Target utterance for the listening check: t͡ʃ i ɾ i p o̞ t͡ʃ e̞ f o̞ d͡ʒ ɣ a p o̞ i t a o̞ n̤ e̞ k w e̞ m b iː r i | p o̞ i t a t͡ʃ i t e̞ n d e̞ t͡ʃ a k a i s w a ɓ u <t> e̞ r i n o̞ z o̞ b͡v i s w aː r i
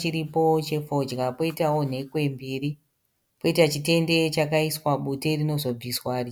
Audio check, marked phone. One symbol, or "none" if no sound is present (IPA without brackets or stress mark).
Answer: t